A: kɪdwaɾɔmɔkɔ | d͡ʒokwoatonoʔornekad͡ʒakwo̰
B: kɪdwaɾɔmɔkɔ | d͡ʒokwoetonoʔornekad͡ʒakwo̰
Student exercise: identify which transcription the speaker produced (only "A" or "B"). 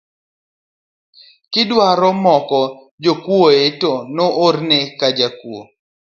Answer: B